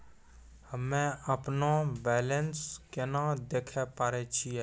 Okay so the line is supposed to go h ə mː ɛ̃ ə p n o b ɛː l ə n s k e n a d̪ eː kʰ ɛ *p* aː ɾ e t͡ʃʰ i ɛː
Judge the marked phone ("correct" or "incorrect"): correct